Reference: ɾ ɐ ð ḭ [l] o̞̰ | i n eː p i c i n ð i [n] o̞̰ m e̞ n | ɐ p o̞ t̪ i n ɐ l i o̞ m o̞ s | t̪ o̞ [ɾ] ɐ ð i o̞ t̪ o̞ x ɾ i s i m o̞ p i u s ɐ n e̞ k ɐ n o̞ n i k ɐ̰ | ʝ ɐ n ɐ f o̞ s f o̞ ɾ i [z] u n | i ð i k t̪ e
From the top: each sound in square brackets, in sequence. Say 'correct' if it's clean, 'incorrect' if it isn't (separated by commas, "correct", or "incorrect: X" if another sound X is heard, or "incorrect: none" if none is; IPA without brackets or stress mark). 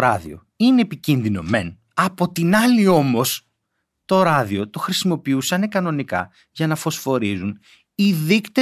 incorrect: none, correct, correct, correct